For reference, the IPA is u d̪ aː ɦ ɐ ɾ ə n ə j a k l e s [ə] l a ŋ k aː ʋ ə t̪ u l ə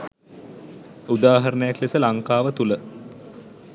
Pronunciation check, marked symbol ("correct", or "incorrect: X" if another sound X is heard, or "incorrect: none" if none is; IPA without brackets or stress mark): correct